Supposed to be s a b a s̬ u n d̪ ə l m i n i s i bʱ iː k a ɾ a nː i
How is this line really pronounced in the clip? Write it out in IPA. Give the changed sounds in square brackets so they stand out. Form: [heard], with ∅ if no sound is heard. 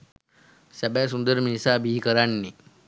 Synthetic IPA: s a b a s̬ u n d̪ ə [ɾ] m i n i s [a] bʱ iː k [ə] ɾ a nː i